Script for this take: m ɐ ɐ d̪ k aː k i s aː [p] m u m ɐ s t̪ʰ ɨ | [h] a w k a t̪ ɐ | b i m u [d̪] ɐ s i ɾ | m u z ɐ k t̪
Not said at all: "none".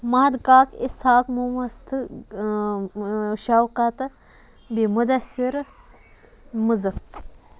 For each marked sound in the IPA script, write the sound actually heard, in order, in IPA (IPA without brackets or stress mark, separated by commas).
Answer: k, ʃ, d̪